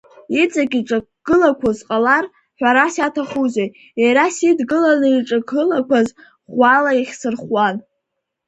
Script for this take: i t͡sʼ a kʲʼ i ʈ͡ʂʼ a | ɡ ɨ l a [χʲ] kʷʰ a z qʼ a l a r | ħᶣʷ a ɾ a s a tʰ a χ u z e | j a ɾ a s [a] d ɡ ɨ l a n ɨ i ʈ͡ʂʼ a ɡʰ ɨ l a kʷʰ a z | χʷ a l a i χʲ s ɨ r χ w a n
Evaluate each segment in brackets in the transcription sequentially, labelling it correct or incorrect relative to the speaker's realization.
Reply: incorrect: none, incorrect: i

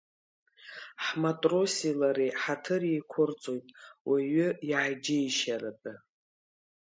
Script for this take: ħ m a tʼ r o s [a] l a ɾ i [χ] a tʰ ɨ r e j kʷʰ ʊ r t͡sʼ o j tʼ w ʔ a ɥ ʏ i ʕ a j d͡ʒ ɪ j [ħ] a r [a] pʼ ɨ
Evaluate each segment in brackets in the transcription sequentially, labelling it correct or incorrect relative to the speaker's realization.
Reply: incorrect: i, incorrect: ħ, incorrect: ʃ, correct

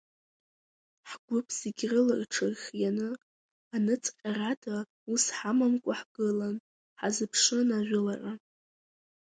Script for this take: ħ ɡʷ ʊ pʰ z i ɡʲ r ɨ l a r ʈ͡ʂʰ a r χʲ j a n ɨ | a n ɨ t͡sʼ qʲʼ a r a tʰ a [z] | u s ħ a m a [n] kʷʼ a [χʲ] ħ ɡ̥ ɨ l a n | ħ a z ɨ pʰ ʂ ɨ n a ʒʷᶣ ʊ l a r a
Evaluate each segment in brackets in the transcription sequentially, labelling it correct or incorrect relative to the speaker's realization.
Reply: incorrect: none, incorrect: m, incorrect: none

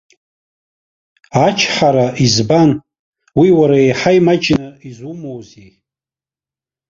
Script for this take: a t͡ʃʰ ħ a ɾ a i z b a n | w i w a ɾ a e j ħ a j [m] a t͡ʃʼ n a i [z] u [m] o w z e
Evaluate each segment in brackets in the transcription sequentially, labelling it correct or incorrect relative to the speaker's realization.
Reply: correct, correct, correct

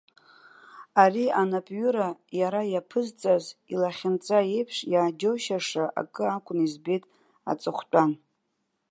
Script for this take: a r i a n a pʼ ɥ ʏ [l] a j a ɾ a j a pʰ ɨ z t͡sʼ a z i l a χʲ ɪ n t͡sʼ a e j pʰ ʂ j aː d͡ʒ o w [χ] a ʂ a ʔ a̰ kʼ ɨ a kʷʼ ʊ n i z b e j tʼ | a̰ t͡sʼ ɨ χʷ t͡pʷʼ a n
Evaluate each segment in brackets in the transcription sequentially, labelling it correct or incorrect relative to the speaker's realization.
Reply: incorrect: ɾ, incorrect: ʃ

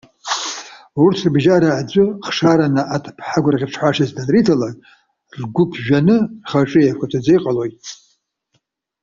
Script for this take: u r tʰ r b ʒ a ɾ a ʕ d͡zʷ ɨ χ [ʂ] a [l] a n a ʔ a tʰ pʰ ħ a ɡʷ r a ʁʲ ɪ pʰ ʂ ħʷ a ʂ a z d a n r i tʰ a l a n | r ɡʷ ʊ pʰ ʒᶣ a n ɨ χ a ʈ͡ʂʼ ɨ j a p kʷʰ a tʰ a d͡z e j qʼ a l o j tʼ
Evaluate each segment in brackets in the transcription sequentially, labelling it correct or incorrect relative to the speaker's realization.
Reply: correct, incorrect: ɾ

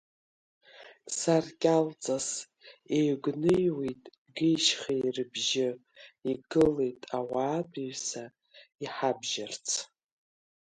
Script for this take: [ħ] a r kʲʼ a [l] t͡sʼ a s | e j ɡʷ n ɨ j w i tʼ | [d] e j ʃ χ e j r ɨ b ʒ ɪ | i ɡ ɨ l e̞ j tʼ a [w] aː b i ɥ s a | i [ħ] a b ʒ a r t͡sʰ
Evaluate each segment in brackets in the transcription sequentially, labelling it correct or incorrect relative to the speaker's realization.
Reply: incorrect: s, correct, incorrect: ɡ, correct, correct

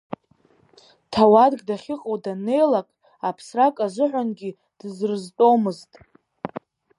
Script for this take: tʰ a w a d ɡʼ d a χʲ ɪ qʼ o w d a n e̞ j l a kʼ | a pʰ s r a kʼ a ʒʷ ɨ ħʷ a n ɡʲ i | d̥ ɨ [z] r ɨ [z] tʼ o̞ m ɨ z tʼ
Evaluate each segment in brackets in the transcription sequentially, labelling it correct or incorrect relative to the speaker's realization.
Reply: correct, correct

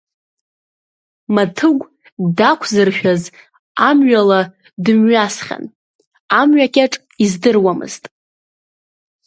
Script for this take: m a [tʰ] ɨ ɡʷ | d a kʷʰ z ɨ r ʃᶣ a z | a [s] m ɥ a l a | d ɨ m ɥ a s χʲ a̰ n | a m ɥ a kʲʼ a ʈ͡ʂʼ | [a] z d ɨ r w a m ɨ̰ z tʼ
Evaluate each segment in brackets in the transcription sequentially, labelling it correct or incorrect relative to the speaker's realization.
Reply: correct, incorrect: none, incorrect: i

